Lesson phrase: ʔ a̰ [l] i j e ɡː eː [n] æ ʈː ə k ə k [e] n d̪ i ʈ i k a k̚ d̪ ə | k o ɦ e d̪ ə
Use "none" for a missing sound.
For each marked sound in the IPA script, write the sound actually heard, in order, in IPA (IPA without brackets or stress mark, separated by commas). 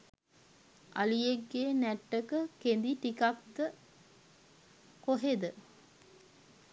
l, n, e